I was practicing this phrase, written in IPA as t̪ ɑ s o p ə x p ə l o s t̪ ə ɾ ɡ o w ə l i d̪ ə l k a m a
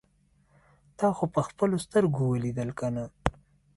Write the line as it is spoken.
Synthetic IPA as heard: t̪ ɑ x o p ə x p ə l o s t̪ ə ɾ ɡ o w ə l i d̪ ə l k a n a